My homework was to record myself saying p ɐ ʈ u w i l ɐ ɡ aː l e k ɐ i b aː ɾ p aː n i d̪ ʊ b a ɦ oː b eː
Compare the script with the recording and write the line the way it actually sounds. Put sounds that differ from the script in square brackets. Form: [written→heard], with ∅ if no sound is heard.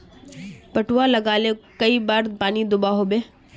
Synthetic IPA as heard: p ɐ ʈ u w [i→a] l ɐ ɡ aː l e k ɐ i b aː ɾ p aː n i d̪ ʊ b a ɦ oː b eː